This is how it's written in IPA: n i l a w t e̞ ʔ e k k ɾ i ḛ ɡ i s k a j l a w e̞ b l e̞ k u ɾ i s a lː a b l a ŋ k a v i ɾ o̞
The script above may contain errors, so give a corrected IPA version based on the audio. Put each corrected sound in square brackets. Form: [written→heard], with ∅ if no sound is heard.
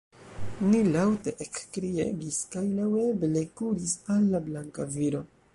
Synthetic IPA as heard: n i l a w t e̞ ʔ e k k ɾ i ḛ ɡ i s k a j l a w e̞ b l e̞ k u ɾ i s a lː a b l a ŋ k a v i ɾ o̞